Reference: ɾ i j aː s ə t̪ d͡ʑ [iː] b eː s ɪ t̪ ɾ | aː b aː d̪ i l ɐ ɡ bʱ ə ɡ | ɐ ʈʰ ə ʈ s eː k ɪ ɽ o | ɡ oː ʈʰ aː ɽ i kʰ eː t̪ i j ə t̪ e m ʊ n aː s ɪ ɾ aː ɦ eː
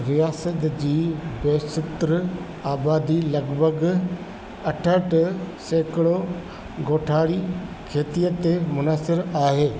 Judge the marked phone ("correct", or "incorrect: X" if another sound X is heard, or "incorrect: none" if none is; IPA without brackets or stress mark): correct